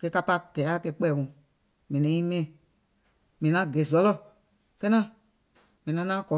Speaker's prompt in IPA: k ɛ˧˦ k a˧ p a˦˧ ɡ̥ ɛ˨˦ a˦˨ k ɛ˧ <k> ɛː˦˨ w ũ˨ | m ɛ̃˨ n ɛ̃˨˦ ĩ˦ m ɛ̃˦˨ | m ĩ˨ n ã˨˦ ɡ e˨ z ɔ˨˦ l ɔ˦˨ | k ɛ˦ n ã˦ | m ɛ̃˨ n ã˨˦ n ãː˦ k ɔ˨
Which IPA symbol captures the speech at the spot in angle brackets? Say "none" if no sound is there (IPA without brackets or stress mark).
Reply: k͡p